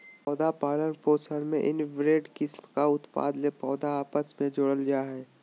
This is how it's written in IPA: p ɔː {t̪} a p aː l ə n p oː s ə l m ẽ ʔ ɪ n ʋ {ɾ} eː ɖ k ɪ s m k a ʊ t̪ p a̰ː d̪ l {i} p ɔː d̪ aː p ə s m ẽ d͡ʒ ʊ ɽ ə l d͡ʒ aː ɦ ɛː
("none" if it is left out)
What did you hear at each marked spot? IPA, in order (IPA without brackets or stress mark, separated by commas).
d̪, ɾ, e